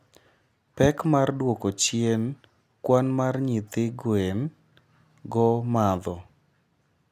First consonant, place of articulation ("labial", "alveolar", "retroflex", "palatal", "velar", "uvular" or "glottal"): labial